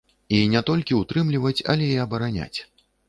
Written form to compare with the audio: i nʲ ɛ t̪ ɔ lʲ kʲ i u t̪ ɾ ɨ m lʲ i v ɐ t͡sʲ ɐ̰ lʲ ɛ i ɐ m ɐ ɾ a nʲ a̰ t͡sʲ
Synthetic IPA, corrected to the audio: i nʲ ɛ t̪ ɔ lʲ kʲ i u t̪ ɾ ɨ m lʲ i v ɐ t͡sʲ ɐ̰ lʲ ɛ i ɐ b ɐ ɾ a nʲ a̰ t͡sʲ